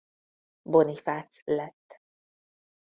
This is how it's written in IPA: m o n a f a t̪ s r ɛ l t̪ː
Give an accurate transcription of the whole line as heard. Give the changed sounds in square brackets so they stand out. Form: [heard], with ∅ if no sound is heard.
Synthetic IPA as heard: [b] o n [i] f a t̪ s [l] ɛ [∅] t̪ː